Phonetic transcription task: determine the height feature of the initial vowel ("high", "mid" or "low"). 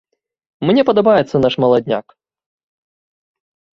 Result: mid